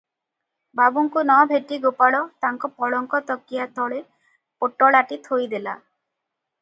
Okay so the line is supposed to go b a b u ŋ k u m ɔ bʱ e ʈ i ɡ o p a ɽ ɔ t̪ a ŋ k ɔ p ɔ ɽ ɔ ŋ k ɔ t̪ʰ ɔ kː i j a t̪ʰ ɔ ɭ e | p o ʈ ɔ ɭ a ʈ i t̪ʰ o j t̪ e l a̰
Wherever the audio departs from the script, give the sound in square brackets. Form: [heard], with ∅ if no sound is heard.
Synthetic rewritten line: b a b u ŋ k u [n] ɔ bʱ e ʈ i ɡ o p a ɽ ɔ t̪ a ŋ k ɔ p ɔ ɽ ɔ ŋ k ɔ [t̪] ɔ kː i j a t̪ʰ ɔ ɭ e | p o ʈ ɔ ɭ a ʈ i t̪ʰ o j [d̪] e l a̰